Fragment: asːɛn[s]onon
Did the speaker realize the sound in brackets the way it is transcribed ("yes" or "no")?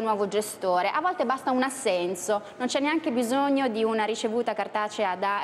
yes